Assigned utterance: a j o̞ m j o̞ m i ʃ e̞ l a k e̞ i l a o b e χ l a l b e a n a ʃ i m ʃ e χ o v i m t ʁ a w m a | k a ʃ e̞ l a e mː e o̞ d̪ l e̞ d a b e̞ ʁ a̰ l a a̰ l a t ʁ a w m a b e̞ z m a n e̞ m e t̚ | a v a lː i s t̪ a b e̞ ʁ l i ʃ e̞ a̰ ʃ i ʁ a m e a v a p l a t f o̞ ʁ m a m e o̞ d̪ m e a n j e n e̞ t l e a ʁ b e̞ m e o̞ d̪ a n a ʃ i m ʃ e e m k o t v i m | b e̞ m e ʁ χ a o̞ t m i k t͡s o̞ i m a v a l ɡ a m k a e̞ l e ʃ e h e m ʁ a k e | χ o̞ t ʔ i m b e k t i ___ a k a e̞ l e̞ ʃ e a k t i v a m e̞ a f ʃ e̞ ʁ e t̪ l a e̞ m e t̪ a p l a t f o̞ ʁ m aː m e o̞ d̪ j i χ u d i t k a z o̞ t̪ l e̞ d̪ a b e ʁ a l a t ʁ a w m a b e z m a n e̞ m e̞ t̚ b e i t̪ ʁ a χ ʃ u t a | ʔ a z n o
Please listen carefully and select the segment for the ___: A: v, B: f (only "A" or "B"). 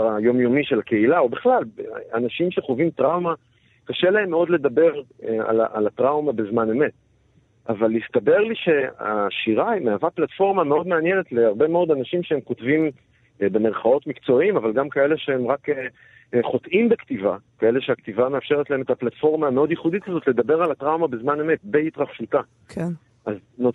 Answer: A